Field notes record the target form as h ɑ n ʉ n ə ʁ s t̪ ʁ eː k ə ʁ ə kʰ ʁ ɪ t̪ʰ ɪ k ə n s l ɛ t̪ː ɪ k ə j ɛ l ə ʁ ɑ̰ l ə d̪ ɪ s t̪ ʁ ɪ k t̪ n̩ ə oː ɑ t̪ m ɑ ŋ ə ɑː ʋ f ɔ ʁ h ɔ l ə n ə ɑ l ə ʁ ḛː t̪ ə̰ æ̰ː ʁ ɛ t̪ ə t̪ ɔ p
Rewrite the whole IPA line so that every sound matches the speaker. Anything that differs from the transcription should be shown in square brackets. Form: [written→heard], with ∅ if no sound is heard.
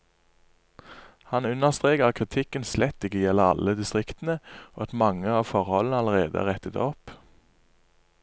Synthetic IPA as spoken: h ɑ n ʉ n ə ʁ s t̪ ʁ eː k ə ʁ [ə→ɑ] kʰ ʁ ɪ t̪ʰ ɪ k ə n s l ɛ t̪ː ɪ k ə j ɛ l ə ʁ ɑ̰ l ə d̪ ɪ s t̪ ʁ ɪ k t̪ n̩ ə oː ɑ t̪ m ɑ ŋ ə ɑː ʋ f ɔ ʁ h ɔ l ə n ə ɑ l ə ʁ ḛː [t̪→d̪] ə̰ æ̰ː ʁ ɛ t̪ ə t̪ ɔ p